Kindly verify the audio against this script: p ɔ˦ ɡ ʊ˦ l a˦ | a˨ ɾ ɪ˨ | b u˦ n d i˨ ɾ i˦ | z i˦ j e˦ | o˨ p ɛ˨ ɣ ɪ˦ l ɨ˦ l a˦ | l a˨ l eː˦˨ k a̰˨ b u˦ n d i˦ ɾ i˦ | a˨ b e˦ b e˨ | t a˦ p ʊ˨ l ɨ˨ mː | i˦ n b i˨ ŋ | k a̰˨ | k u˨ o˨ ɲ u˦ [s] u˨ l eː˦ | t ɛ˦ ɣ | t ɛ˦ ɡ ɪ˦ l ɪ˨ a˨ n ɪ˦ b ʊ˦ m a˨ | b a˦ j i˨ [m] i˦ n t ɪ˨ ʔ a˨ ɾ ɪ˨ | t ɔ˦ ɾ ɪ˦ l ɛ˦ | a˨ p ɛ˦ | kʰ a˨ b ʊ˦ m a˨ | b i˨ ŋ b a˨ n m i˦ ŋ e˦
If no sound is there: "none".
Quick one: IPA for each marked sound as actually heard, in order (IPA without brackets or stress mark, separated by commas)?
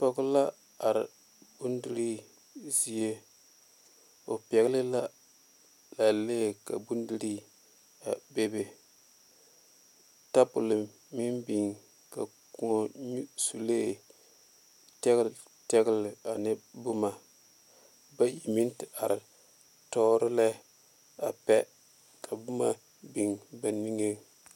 s, m